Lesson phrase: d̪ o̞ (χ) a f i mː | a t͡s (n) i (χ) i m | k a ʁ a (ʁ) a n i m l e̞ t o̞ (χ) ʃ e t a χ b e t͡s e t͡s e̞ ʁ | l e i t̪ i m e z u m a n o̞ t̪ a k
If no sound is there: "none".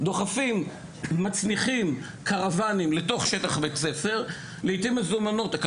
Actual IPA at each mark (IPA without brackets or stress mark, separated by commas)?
χ, n, χ, v, χ